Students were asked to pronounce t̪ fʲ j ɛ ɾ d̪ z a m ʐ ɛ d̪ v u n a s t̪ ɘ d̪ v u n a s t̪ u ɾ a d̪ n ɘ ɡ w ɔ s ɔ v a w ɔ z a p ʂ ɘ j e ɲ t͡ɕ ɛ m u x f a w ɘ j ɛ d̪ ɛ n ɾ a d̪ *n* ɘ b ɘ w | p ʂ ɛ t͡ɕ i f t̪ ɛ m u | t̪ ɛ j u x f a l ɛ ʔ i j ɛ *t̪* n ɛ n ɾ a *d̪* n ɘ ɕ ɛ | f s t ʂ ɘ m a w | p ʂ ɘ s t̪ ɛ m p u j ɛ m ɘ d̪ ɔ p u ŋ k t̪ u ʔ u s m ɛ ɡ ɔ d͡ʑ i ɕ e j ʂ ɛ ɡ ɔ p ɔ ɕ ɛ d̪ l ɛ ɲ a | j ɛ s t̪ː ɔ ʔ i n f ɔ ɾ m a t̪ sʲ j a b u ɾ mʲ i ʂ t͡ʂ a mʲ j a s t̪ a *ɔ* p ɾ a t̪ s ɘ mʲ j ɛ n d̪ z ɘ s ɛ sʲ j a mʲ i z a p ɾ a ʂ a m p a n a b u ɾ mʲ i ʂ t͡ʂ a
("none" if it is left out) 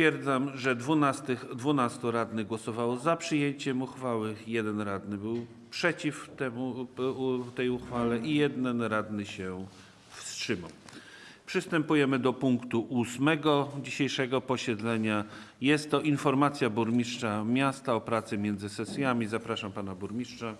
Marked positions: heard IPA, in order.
n, d̪, d̪, ɔ

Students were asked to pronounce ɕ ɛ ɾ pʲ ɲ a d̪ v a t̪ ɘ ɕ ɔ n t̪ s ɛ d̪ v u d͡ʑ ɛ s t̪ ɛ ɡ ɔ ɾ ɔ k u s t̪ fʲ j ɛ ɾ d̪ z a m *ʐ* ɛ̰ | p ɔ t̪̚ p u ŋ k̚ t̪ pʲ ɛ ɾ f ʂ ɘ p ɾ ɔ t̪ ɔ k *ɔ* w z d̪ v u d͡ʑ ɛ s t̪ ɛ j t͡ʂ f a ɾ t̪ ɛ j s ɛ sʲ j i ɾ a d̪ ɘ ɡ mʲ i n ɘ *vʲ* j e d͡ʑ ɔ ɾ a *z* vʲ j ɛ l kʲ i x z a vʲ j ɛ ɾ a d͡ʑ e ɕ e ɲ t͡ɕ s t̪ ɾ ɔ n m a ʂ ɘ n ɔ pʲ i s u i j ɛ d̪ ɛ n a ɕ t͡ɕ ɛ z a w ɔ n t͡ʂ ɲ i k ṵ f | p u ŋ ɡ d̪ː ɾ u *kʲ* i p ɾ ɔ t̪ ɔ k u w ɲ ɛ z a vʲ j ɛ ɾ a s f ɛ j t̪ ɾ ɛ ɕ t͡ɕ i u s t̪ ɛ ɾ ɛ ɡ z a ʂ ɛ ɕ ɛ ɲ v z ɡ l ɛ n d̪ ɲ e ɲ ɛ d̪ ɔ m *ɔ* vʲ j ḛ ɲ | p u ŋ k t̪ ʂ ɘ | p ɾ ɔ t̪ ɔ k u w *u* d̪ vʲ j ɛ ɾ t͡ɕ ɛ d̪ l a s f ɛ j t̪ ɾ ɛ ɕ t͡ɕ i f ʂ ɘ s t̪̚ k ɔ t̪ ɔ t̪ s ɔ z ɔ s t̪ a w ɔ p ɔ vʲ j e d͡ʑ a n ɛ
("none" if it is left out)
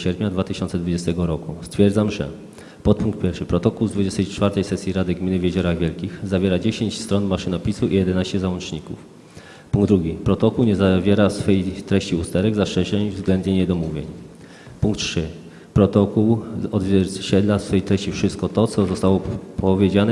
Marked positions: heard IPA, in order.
ʐ, u, vʲ, ɣ, ɡʲ, u, ɔ

